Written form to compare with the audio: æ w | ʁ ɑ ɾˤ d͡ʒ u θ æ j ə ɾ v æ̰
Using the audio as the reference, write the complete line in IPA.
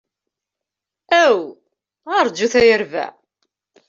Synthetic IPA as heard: æ w | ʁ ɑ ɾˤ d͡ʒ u θ æ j ə ɾ v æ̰